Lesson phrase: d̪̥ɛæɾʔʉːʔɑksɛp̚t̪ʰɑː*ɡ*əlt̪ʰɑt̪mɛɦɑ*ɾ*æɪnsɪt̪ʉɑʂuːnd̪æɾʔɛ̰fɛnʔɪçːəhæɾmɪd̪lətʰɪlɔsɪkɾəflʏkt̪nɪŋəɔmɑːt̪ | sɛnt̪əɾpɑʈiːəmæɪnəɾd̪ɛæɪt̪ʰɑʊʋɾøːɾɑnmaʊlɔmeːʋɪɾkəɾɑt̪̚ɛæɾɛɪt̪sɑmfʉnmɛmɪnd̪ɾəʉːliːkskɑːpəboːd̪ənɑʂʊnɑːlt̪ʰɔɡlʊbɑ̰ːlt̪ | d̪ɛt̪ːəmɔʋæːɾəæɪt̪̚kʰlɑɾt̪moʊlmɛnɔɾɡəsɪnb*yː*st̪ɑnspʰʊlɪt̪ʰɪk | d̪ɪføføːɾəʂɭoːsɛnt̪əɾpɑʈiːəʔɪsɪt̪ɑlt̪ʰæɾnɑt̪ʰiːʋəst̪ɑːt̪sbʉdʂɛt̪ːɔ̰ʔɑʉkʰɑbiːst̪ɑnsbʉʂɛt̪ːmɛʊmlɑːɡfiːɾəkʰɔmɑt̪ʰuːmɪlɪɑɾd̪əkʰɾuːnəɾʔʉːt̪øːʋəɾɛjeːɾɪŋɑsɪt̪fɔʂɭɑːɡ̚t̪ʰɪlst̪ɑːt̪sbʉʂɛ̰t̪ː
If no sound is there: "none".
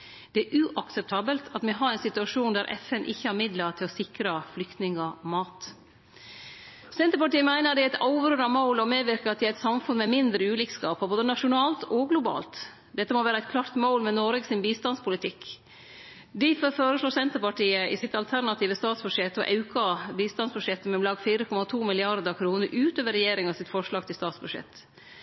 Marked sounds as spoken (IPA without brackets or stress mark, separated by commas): b, ɾ, iː